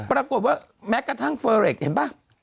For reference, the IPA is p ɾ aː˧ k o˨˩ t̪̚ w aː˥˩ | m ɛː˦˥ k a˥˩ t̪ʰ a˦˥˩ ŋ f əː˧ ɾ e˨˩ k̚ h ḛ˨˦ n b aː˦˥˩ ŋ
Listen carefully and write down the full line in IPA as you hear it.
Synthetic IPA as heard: p ɾ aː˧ k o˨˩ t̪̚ w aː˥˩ | m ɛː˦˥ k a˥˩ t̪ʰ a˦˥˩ ŋ f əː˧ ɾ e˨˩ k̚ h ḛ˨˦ n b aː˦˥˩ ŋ